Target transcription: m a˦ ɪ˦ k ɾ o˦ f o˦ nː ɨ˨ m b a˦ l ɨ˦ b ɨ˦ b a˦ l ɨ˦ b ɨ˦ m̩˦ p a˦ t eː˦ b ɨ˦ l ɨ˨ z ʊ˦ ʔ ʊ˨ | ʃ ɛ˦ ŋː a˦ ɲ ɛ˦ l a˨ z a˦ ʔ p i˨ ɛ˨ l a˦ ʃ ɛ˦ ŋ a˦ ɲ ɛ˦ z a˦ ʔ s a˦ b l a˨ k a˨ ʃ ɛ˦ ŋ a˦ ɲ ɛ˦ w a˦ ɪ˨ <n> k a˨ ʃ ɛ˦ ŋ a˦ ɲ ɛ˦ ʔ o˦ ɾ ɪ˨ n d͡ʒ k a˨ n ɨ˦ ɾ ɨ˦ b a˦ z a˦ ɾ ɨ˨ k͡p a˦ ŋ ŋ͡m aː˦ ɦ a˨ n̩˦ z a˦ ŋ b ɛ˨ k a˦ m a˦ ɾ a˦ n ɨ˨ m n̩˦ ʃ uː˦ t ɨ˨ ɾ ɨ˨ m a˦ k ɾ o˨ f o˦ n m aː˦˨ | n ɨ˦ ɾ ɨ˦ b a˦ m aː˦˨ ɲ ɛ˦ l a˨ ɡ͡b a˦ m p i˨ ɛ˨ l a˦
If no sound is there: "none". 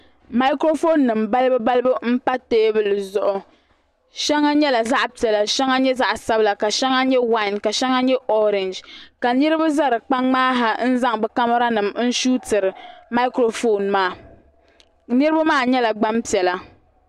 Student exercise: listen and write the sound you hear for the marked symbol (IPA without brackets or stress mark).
n